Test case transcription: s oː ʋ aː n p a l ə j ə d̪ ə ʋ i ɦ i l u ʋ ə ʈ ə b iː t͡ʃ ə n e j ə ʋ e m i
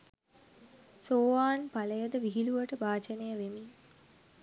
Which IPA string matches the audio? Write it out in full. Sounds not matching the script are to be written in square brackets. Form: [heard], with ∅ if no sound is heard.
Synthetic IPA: s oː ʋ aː n p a l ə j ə d̪ ə ʋ i ɦ i l u ʋ ə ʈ ə b [aː] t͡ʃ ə n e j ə ʋ e m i

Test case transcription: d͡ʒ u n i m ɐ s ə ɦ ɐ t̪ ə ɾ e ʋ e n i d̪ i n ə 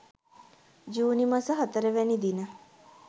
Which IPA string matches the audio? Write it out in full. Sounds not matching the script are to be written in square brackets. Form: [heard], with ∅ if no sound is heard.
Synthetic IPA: d͡ʒ [uː] n i m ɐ s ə ɦ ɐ t̪ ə ɾ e ʋ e n i d̪ i n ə

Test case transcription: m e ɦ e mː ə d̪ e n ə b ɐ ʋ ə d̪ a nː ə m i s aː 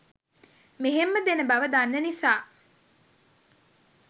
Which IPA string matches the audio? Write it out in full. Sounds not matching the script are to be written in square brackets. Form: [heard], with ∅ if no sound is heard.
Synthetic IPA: m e ɦ e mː ə d̪ e n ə b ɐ ʋ ə d̪ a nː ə [n] i s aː

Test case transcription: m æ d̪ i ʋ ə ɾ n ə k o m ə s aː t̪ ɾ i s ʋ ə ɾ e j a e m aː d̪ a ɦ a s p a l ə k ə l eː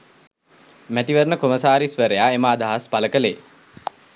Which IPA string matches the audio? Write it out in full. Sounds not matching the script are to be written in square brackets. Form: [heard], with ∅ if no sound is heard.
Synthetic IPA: m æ [t̪] i ʋ ə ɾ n ə k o m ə s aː [∅] ɾ i s ʋ ə ɾ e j a e m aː d̪ a ɦ a s p a l ə k ə l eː

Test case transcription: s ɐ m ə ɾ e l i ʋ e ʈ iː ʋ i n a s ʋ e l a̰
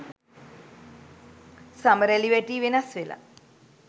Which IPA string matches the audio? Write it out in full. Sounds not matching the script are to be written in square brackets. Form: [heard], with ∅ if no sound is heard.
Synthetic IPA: s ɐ m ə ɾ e l i ʋ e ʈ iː ʋ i n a s ʋ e l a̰

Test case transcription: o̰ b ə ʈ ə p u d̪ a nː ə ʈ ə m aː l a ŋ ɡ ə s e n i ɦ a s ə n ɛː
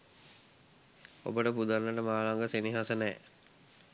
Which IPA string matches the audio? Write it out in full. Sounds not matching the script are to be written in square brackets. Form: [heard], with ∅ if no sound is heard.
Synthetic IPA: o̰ b ə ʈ ə p u d̪ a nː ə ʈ ə m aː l a ŋ ɡ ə s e n i ɦ a s ə n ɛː

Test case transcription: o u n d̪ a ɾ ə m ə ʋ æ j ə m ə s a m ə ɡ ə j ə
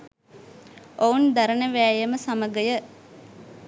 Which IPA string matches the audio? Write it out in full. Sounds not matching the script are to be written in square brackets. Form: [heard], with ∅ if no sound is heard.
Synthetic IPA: o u n d̪ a ɾ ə [n] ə ʋ [æː] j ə m ə s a m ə ɡ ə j ə

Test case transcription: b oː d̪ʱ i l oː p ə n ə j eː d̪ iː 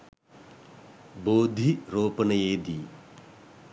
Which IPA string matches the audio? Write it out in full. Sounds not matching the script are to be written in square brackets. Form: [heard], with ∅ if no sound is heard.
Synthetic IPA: b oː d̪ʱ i [ɾ] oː p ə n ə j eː d̪ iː

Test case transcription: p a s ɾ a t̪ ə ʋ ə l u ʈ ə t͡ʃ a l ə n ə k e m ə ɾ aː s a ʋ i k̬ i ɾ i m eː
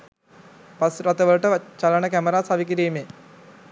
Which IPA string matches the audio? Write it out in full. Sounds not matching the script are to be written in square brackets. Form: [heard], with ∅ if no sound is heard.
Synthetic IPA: p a s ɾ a t̪ ə ʋ ə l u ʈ ə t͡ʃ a l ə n ə k [æ] m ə ɾ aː s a ʋ i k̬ i ɾ [iː] m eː

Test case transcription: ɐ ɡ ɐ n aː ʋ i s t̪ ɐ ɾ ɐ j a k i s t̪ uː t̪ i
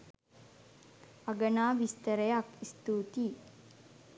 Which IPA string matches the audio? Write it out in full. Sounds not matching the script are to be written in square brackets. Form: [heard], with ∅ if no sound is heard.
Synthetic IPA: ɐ ɡ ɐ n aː ʋ i s t̪ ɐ ɾ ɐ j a k i s t̪ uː t̪ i

